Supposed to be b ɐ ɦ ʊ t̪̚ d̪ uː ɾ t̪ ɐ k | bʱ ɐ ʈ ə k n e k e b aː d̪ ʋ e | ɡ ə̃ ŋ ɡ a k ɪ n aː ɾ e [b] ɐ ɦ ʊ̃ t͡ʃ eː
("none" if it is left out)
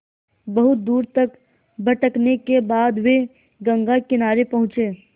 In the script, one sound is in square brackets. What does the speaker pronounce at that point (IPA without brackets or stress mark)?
p